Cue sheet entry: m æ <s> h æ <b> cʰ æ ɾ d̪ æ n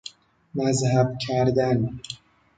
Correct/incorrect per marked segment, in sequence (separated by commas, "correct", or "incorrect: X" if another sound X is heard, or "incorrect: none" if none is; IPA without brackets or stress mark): incorrect: z, correct